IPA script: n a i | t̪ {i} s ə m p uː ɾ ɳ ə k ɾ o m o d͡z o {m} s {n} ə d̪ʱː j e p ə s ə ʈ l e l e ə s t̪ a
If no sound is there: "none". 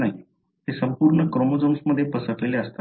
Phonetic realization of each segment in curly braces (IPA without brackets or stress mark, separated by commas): e, m, m